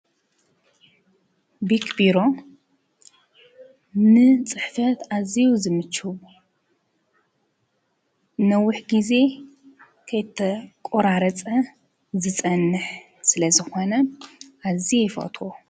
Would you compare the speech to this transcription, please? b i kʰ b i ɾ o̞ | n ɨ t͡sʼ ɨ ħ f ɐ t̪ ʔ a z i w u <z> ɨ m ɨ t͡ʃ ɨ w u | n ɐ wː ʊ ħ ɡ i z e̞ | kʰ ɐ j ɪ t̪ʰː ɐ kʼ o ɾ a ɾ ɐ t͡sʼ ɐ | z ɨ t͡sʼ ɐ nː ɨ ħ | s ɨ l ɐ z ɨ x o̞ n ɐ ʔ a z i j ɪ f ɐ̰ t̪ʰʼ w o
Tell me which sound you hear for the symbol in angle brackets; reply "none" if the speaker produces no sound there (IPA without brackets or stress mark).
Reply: z